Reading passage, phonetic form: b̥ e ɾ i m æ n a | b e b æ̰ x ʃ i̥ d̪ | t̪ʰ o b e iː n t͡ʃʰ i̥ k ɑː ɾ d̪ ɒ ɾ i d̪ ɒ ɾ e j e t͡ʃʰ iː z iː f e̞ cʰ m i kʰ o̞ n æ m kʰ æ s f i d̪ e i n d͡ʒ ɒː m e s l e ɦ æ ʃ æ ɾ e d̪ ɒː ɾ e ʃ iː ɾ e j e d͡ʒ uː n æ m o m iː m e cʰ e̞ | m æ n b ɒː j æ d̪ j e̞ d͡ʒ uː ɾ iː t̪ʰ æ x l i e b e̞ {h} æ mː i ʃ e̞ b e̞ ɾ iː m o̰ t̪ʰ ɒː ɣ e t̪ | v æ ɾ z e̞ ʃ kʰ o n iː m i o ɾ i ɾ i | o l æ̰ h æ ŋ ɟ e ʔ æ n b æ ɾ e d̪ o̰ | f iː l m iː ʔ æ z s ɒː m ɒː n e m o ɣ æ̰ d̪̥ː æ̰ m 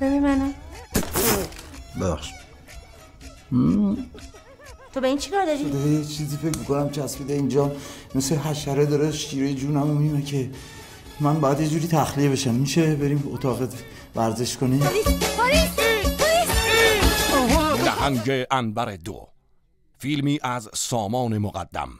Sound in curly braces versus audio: incorrect: ʃ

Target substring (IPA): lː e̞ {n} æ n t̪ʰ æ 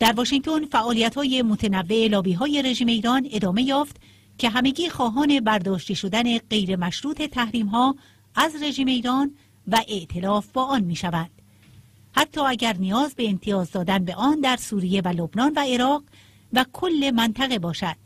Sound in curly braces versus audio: incorrect: m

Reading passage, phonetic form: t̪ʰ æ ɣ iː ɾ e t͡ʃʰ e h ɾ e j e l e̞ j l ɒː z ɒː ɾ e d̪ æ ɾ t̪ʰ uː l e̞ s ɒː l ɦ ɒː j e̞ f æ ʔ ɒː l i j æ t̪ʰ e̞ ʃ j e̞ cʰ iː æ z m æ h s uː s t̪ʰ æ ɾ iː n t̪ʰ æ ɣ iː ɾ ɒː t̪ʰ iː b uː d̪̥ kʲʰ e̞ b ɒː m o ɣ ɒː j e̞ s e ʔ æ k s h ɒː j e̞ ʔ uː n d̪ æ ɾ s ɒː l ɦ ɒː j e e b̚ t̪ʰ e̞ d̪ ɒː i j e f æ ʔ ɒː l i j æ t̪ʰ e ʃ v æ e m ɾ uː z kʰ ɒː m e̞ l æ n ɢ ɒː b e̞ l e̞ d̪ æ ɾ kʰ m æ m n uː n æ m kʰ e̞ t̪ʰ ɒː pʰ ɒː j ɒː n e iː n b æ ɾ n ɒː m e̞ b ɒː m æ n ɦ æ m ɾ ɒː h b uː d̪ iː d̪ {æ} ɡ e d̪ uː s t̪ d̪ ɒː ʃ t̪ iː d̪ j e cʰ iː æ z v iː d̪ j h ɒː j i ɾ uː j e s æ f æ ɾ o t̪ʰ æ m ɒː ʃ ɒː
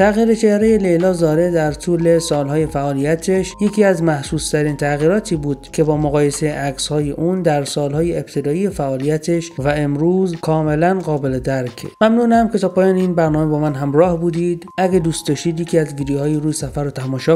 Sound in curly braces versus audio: correct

